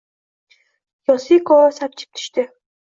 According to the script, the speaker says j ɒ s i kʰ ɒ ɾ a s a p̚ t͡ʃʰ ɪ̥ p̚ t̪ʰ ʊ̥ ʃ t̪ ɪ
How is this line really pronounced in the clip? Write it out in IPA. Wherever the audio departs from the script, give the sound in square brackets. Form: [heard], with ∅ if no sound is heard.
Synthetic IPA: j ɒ s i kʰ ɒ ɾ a s a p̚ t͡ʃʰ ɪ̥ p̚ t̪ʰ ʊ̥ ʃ t̪ ɪ